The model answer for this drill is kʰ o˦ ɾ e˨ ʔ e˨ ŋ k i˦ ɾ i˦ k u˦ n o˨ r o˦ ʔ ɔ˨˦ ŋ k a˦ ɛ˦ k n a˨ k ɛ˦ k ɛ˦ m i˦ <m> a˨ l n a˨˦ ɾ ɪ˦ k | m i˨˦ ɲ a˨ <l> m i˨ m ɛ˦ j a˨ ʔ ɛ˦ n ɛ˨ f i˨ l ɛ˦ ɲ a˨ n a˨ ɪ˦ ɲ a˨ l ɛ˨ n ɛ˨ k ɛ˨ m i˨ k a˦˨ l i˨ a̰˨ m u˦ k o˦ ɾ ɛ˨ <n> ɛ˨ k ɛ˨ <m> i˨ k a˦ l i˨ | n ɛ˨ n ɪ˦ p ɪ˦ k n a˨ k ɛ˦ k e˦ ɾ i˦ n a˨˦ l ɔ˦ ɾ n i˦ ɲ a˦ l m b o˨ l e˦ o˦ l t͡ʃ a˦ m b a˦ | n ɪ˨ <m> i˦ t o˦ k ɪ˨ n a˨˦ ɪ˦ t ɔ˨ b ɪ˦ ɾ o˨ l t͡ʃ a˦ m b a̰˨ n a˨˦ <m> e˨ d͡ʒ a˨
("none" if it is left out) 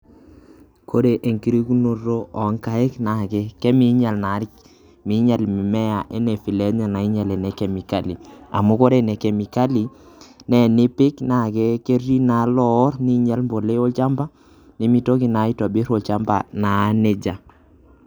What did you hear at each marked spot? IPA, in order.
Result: ɲ, l, n, m, m, n

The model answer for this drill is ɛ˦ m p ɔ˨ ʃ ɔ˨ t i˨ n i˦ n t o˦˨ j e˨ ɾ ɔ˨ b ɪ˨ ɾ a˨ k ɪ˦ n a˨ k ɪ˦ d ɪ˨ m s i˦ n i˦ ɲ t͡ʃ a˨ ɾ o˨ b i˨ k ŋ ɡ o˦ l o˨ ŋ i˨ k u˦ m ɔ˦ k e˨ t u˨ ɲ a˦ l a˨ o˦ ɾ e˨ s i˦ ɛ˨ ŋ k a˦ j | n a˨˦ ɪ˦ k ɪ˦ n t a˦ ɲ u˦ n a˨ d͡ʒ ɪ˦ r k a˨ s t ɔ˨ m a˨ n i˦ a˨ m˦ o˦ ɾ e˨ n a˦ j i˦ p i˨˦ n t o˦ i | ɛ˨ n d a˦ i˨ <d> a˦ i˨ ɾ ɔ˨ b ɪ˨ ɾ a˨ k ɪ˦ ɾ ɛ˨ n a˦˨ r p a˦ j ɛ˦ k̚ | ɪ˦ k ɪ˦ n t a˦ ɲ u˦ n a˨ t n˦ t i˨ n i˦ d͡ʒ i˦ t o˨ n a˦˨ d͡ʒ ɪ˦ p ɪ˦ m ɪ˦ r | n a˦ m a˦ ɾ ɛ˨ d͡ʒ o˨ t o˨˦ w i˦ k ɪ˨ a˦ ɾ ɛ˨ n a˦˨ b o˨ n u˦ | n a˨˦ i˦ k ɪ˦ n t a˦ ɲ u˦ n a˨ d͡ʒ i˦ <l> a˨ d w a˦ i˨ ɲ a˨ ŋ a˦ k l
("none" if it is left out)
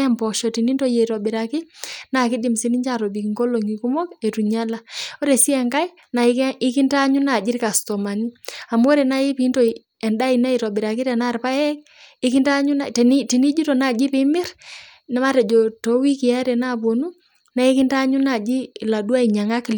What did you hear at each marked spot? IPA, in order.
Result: n, l

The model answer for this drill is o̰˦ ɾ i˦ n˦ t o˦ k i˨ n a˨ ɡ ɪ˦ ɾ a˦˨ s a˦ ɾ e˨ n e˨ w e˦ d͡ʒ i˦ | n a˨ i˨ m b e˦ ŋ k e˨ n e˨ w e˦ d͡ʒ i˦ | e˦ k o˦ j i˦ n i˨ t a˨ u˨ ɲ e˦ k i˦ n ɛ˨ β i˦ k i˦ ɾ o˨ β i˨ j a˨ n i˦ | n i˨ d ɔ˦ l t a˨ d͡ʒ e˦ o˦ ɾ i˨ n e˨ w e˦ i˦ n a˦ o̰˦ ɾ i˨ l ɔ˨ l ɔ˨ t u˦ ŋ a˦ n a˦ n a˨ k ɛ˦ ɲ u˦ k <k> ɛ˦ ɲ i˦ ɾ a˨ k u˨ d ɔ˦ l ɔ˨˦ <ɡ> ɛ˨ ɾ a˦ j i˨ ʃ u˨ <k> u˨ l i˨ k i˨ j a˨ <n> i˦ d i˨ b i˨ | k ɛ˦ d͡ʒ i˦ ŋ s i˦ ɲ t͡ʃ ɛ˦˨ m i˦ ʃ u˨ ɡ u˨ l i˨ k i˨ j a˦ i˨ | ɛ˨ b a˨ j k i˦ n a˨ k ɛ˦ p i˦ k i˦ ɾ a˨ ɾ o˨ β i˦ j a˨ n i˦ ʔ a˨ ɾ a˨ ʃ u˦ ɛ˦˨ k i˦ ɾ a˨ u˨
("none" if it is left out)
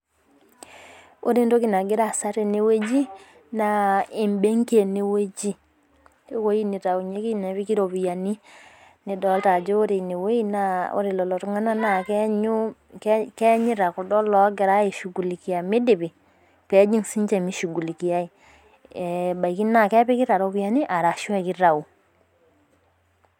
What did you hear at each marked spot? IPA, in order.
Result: k, ɡ, ɡ, m

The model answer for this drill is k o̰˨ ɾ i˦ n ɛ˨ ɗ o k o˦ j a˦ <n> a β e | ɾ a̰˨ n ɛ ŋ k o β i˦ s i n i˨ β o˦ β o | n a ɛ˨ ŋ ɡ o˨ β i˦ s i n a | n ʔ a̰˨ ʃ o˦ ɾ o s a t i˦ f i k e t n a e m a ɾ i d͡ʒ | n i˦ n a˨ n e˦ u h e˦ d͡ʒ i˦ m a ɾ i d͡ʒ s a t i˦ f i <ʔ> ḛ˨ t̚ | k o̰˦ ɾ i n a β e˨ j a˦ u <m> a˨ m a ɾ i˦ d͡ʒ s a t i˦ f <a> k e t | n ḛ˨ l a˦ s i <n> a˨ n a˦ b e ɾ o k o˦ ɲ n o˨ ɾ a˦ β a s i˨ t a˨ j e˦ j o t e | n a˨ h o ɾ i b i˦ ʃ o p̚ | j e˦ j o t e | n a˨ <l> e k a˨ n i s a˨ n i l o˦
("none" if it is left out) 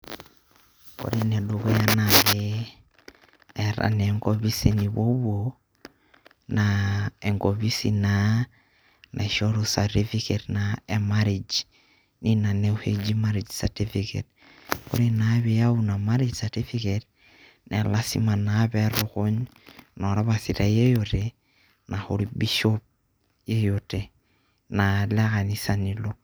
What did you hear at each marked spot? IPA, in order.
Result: n, k, n, i, m, l

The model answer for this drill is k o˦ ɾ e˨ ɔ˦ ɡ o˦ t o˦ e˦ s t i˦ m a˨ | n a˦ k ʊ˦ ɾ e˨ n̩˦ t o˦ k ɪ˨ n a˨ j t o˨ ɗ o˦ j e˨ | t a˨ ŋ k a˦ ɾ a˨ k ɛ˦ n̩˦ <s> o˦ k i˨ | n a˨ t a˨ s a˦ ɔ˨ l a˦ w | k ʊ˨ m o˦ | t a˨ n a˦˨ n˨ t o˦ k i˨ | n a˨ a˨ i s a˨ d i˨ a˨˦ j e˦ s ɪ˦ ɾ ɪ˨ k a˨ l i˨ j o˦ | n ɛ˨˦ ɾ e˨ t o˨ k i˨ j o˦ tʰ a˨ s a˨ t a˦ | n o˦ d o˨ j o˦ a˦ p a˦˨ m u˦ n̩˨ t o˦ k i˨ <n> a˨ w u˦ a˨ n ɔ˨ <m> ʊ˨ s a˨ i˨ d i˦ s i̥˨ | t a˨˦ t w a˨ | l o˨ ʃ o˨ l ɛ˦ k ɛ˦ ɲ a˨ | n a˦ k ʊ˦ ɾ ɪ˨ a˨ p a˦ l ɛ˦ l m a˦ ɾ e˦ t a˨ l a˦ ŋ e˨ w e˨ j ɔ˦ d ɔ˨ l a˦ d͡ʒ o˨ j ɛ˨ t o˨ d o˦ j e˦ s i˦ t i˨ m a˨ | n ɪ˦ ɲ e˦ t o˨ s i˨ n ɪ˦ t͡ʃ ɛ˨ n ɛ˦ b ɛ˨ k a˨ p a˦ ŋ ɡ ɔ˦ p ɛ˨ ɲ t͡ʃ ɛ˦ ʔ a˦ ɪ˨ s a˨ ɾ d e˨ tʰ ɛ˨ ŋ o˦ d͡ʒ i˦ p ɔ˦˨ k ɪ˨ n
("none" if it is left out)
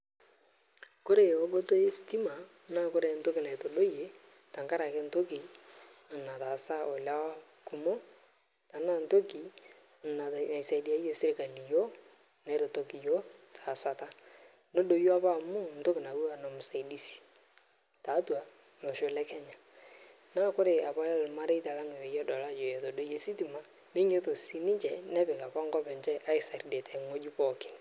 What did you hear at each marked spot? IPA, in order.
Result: t, n, m

